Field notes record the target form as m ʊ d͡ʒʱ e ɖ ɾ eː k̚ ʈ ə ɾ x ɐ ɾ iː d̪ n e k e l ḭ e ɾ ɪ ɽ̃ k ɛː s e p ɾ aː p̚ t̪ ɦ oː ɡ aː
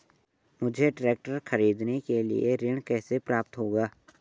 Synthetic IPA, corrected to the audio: m ʊ d͡ʒʱ e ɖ ɾ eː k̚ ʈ ə ɾ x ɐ ɾ iː d̪ n e k e l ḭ e ɾ ɪ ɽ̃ k ɛː s e p ɾ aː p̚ t̪ ɦ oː ɡ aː